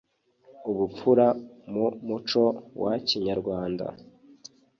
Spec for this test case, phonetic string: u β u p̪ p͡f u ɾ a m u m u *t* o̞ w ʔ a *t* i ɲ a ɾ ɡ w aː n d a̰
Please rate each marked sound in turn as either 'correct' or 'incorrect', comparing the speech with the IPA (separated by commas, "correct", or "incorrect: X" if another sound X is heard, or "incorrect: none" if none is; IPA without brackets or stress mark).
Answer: incorrect: t͡ʃ, incorrect: c